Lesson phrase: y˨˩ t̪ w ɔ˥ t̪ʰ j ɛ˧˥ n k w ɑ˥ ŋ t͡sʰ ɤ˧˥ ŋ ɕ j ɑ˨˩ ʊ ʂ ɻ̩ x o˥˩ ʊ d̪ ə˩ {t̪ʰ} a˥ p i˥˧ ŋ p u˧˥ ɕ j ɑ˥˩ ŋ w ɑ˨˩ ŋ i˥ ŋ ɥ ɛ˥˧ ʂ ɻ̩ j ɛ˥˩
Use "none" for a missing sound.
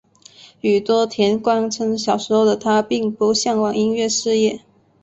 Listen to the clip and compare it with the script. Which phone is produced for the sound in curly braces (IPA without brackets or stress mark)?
t̪ʰ